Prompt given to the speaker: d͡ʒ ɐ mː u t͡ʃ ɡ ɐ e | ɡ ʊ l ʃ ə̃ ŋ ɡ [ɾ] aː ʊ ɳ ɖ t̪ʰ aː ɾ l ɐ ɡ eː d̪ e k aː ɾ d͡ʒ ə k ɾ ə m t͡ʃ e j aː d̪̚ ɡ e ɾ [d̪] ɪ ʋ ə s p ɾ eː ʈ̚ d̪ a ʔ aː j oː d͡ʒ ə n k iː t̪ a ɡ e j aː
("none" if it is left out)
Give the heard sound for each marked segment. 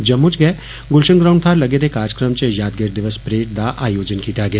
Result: ɾ, d̪

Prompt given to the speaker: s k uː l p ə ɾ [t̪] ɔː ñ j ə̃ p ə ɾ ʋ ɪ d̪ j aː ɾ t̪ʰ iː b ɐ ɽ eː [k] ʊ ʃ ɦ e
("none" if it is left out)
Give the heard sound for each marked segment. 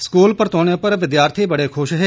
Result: t̪, kʰ

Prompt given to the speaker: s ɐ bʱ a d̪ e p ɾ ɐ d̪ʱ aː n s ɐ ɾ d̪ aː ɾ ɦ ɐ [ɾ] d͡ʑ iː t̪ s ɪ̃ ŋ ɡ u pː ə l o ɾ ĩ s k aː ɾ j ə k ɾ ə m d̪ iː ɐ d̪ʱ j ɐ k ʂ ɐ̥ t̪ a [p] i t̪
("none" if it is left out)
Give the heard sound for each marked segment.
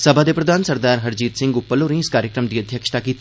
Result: ɾ, k

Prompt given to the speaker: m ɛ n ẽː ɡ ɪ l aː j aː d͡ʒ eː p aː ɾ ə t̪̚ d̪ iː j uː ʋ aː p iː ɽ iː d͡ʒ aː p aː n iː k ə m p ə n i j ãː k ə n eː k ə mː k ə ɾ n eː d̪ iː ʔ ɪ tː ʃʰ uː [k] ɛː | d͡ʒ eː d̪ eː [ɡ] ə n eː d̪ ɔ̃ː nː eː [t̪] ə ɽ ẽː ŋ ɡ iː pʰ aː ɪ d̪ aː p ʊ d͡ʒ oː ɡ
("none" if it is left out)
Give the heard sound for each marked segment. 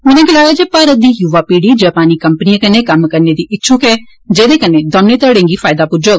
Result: k, k, t̪

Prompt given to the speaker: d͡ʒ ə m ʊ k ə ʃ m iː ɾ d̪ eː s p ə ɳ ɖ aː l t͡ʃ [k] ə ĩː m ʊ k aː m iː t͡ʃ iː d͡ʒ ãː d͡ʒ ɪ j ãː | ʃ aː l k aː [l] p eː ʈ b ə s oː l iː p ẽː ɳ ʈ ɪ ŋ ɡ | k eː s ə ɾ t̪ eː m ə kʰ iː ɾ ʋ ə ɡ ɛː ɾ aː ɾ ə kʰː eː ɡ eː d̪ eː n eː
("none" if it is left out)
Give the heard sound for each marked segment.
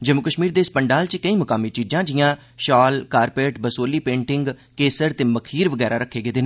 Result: k, ɾ

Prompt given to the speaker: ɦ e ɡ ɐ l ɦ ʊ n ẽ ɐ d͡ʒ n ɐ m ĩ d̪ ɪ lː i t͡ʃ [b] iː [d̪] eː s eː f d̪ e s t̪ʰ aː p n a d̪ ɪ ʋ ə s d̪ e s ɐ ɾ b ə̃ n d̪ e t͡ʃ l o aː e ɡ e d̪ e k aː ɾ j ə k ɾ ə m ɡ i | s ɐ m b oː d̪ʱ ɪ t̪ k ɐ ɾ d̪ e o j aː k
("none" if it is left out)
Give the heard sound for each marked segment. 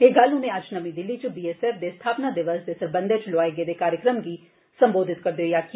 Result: b, none

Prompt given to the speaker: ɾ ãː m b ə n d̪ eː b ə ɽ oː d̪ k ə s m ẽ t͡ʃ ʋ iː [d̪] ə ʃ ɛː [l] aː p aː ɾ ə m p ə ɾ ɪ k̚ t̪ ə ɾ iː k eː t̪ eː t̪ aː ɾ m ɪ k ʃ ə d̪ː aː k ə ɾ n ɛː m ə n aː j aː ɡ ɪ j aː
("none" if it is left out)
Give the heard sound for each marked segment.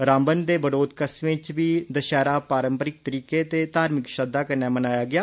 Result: d̪, ɾ

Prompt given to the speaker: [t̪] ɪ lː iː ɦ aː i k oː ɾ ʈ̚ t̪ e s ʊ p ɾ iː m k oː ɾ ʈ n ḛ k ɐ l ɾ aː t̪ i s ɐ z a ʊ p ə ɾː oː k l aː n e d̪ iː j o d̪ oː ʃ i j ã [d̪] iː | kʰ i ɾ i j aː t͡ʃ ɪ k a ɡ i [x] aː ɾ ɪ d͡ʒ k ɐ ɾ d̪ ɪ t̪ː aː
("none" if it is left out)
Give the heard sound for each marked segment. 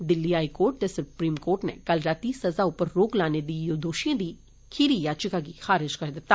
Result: d̪, d̪, x

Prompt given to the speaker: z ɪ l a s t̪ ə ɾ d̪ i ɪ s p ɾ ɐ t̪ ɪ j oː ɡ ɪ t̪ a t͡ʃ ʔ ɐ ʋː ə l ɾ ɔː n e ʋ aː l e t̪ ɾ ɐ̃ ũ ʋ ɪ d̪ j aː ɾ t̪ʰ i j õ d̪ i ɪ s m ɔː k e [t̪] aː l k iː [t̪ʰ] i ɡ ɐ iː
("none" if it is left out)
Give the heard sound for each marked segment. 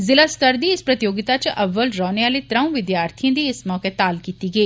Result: t̪, t̪

